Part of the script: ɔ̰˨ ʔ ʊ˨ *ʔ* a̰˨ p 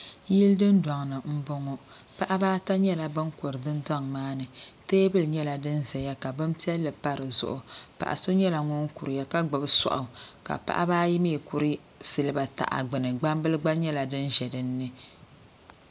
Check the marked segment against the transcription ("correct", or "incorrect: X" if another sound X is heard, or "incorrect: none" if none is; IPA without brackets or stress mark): incorrect: k